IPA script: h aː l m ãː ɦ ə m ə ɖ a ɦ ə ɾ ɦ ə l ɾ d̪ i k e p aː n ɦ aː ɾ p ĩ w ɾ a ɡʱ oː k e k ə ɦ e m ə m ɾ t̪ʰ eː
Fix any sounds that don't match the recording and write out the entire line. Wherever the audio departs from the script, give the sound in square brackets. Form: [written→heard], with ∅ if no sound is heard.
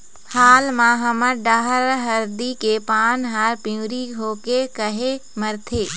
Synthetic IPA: h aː l m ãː ɦ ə m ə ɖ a ɦ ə ɾ ɦ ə [l→∅] ɾ d̪ i k e p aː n ɦ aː ɾ p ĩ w ɾ [a→i] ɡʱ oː k e k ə ɦ e m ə [m→∅] ɾ t̪ʰ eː